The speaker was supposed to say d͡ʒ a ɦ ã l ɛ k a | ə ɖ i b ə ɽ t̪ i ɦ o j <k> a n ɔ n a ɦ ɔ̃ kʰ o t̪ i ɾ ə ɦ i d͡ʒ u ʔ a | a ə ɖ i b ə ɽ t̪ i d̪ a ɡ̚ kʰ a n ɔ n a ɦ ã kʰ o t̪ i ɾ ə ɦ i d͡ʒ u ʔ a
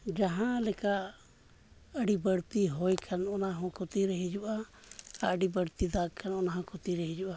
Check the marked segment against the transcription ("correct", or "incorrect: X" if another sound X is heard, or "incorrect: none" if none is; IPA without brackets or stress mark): incorrect: kʰ